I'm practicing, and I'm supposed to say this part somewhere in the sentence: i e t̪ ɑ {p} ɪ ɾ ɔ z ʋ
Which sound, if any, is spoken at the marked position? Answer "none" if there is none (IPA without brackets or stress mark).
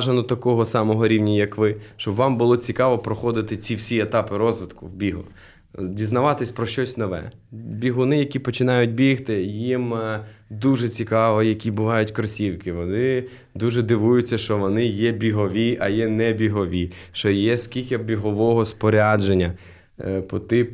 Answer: p